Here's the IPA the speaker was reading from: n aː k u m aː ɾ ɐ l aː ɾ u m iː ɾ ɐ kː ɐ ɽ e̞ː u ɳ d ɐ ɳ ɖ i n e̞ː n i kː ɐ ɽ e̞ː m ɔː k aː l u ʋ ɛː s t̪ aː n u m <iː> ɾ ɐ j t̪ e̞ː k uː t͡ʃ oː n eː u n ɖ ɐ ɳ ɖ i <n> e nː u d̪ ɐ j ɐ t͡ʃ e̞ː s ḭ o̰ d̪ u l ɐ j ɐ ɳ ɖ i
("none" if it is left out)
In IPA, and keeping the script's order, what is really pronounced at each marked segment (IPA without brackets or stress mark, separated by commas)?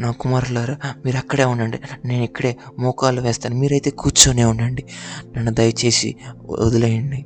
iː, n